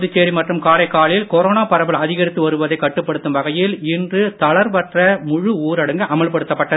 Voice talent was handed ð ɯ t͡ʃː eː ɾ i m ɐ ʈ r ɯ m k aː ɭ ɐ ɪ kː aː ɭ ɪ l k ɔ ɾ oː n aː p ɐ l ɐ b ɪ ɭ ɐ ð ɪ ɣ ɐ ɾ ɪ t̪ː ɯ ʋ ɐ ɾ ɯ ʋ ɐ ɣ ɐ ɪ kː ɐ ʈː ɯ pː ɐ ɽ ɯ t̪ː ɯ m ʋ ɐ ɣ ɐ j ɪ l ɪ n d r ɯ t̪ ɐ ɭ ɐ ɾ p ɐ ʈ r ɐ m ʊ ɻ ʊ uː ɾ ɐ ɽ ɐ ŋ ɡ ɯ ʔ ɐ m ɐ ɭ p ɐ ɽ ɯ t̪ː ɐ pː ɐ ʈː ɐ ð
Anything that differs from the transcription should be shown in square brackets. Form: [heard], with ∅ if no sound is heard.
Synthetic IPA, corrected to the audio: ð ɯ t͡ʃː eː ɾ i m ɐ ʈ r ɯ m k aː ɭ ɐ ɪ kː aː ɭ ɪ l k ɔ ɾ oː n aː p ɐ [ɾ] ɐ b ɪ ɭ ɐ ð ɪ ɣ ɐ ɾ ɪ t̪ː ɯ ʋ ɐ ɾ ɯ ʋ ɐ [ð] ɐ ɪ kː ɐ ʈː ɯ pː ɐ ɽ ɯ t̪ː ɯ m ʋ ɐ ɣ ɐ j ɪ l ɪ n d r ɯ t̪ ɐ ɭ ɐ ɾ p ɐ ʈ r ɐ m ʊ ɻ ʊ uː ɾ ɐ ɽ ɐ ŋ ɡ ɯ ʔ ɐ m ɐ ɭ p ɐ ɽ ɯ t̪ː ɐ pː ɐ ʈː ɐ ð